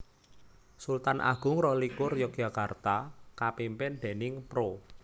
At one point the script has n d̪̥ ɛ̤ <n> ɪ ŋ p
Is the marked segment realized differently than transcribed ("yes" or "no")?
no